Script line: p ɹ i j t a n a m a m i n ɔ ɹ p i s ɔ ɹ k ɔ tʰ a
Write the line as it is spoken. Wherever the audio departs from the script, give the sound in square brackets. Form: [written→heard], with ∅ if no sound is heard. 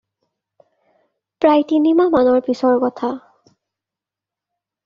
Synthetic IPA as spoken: p ɹ [i→a] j t [a→i] n [a→i] m a m [i→a] n ɔ ɹ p i s ɔ ɹ k ɔ tʰ a

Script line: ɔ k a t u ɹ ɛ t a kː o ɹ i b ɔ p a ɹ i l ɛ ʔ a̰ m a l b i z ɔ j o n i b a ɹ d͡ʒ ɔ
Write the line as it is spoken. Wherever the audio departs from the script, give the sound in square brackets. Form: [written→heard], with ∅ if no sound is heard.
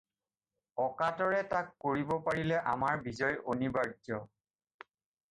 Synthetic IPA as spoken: ɔ k a t [u→ɔ] ɹ ɛ t a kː o ɹ i b ɔ p a ɹ i l ɛ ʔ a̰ m a [l→ɹ] b i z ɔ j o n i b a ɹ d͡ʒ ɔ

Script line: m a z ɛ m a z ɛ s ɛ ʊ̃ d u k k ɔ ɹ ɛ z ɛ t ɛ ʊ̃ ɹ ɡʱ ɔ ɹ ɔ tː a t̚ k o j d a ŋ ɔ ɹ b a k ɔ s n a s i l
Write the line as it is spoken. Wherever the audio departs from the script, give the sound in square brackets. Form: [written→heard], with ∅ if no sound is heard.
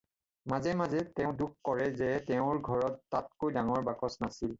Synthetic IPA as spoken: m a z ɛ m a z ɛ [s→t] ɛ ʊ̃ d u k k ɔ ɹ ɛ z ɛ t ɛ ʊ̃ ɹ ɡʱ ɔ ɹ ɔ tː a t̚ k o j d a ŋ ɔ ɹ b a k ɔ s n a s i l

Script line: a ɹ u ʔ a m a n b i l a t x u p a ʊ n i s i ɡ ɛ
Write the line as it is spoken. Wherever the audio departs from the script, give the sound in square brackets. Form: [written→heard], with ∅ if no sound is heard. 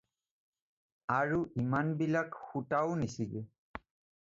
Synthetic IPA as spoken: a ɹ u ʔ [a→i] m a n b i l a [t→k] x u [p→t] a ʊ n i s i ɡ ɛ

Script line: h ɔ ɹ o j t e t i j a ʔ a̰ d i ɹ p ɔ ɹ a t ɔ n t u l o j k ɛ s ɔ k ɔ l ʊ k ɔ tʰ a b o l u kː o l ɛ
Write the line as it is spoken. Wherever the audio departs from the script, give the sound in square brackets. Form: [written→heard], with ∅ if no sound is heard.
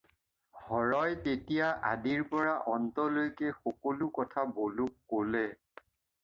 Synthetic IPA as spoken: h ɔ ɹ [o→ɔ] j t e t i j a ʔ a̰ d i ɹ p ɔ ɹ a [t→ʔ] ɔ n t [u→ɔ] l o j k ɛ [s→x] ɔ k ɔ l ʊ k ɔ tʰ a b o l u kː o l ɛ

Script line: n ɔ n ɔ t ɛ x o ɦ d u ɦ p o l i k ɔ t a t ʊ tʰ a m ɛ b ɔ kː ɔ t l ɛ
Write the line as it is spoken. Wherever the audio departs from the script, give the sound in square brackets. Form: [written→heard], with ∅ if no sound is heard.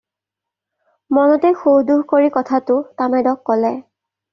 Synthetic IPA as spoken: [n→m] ɔ n ɔ t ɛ x o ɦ d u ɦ [p→k] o [l→ɹ] i k ɔ [t→tʰ] a t ʊ [tʰ→t] a m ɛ [b→d] ɔ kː ɔ [t→∅] l ɛ

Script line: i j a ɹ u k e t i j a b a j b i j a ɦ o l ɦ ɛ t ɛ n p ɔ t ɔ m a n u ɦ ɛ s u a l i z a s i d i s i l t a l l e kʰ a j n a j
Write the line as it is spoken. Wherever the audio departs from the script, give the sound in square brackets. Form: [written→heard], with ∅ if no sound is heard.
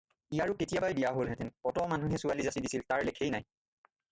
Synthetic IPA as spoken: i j a ɹ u k e t i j a b a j b i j a ɦ o l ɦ ɛ t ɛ n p ɔ t ɔ m a n u ɦ ɛ s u a l i z a s i d i s i l t a [l→ɹ] l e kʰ [a→e] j n a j

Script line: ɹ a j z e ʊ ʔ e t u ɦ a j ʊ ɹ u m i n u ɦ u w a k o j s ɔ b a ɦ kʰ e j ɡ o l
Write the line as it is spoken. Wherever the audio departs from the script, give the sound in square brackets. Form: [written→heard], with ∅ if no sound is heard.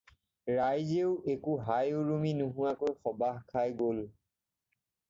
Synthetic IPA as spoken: ɹ a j z e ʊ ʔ e [t→k] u ɦ a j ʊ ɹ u m i n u ɦ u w a k o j [s→x] ɔ b a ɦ kʰ [e→a] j ɡ o l

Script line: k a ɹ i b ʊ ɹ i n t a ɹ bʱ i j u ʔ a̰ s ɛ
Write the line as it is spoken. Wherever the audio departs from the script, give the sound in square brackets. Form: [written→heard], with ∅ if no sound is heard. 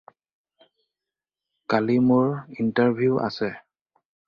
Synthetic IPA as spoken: k a [ɹ→l] i [b→m] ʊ ɹ i n t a ɹ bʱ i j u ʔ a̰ s ɛ

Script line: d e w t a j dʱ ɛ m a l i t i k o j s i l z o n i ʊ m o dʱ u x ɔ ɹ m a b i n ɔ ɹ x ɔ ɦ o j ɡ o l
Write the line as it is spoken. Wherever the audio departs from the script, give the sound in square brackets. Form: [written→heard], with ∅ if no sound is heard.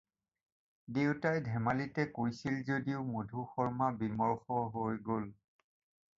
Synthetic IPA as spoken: d e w t a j dʱ ɛ m a l i t [i→ɛ] k o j s i l z o [n→d] i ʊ m o dʱ u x ɔ ɹ m a b i [n→m] ɔ ɹ x ɔ ɦ o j ɡ o l

